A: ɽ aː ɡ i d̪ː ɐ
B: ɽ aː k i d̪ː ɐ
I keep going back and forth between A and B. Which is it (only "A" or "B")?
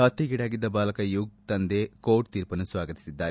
A